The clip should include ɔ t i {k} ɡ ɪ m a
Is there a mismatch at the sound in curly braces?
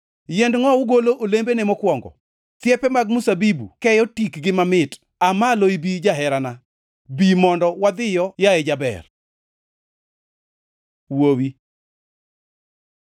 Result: no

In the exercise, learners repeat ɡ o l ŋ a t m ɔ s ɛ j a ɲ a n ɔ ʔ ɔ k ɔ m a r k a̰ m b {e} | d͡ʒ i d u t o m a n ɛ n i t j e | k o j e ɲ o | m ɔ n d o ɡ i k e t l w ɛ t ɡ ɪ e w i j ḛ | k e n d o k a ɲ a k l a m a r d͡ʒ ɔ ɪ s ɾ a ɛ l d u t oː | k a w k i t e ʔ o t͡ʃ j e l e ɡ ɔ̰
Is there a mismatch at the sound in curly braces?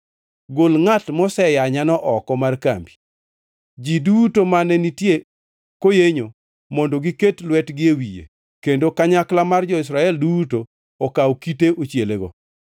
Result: yes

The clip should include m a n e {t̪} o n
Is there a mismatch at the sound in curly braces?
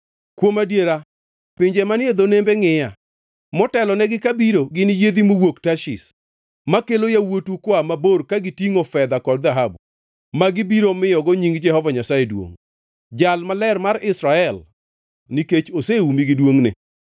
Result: yes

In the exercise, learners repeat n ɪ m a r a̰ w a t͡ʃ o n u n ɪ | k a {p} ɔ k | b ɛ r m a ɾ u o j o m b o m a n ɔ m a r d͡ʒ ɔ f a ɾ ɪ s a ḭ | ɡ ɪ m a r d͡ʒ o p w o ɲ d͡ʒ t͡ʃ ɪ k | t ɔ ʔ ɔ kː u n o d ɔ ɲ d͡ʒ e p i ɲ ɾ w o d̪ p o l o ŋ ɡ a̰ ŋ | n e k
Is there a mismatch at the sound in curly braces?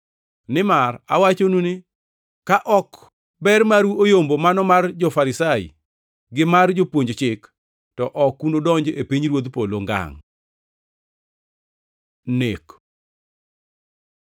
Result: yes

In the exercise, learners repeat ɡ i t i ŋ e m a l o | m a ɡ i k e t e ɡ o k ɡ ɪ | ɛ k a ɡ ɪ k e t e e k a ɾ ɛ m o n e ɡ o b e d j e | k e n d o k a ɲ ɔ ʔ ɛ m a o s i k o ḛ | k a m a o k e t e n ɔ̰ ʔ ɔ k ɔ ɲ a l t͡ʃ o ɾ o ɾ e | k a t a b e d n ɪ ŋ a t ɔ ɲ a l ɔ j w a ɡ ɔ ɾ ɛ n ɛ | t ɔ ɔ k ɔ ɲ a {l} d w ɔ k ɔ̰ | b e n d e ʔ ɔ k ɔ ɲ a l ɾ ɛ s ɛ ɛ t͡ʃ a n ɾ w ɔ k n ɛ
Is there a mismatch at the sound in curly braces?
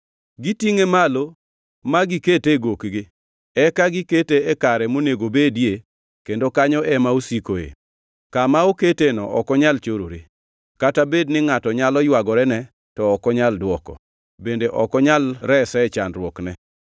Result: no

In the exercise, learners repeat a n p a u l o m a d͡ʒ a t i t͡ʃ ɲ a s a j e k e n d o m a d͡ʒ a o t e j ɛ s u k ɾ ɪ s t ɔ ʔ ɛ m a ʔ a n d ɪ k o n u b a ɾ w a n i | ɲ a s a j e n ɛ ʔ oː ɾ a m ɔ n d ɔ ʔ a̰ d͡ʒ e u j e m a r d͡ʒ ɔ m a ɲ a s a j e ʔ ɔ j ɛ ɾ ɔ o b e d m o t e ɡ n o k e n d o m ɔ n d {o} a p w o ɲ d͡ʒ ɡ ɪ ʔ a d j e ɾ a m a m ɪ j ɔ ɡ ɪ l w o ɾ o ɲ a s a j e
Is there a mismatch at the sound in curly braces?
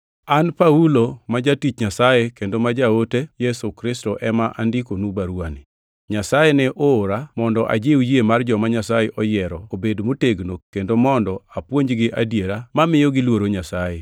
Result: yes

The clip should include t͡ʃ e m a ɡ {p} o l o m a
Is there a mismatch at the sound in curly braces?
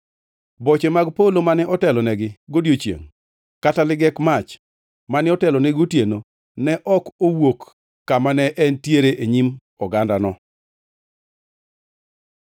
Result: no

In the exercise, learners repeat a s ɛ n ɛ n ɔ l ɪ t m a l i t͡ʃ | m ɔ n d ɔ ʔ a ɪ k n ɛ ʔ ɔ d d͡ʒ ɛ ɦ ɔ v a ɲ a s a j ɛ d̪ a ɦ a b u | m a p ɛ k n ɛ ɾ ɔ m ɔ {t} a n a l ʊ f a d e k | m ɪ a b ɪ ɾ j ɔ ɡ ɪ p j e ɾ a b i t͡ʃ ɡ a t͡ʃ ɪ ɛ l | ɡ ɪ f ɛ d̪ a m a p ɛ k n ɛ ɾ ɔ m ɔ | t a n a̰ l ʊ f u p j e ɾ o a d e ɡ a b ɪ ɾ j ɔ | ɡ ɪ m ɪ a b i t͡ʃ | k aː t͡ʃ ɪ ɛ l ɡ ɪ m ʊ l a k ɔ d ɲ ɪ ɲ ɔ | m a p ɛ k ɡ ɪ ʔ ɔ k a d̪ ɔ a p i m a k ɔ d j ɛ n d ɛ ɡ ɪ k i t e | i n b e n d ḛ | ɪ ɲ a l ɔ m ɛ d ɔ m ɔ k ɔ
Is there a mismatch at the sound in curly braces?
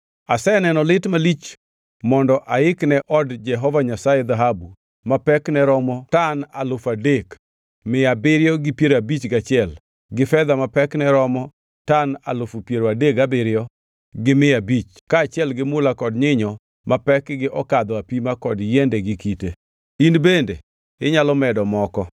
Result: no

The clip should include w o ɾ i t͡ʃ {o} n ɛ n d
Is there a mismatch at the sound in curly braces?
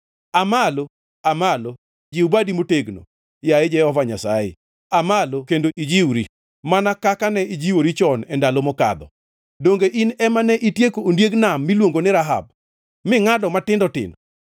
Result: yes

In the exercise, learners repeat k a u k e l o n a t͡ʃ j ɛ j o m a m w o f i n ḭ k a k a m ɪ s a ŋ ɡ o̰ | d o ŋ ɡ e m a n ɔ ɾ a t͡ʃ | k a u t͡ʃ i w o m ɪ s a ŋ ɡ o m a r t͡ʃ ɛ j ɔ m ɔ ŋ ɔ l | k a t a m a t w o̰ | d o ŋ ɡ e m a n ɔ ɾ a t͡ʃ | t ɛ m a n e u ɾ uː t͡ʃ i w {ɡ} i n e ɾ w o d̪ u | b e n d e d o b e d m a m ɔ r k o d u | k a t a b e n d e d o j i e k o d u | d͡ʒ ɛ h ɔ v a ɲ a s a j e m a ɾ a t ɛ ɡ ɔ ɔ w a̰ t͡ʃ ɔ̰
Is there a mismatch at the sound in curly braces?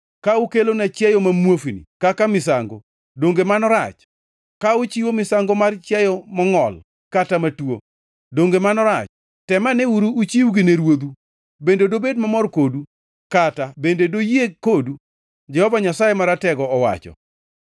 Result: no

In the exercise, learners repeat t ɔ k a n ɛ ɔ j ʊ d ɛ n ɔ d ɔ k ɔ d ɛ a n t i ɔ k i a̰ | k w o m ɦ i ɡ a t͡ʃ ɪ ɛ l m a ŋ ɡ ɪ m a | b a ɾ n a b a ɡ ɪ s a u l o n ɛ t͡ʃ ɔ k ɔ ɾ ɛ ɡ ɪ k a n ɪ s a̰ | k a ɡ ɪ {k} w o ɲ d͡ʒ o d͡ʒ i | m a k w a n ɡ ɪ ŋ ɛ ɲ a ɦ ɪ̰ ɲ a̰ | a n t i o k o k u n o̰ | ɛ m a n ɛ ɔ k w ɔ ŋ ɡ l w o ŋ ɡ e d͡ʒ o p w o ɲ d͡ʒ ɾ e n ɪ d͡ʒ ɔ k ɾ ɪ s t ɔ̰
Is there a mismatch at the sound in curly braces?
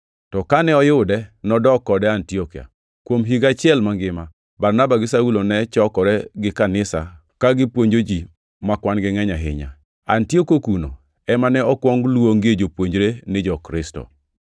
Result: yes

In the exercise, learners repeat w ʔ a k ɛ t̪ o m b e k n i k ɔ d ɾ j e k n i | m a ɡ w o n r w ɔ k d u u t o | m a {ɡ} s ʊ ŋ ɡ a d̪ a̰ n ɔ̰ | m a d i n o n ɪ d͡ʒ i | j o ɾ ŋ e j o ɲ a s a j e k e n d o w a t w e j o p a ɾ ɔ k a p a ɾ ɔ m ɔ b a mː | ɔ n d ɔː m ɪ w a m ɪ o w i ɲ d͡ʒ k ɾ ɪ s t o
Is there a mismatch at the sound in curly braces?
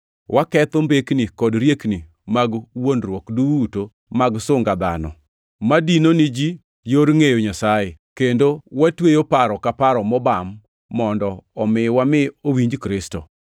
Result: no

